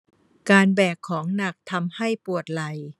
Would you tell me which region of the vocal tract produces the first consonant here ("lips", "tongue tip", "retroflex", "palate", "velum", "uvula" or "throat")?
velum